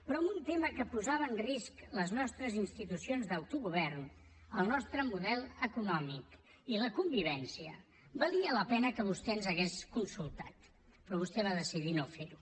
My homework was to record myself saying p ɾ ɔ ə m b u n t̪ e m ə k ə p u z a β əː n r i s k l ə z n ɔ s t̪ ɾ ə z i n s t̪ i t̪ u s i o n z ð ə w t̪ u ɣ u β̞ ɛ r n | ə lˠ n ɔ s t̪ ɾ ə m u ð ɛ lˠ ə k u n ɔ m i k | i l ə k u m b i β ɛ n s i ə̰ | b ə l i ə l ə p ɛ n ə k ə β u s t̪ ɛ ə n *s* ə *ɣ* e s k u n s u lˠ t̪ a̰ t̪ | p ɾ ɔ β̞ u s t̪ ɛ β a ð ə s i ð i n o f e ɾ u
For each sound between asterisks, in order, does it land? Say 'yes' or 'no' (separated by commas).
no, yes